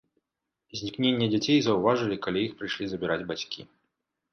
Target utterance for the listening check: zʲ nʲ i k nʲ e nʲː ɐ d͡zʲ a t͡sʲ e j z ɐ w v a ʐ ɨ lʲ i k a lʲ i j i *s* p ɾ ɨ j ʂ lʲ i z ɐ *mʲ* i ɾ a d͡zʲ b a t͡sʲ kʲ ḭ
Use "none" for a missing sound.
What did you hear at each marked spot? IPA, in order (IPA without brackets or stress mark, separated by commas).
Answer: x, bʲ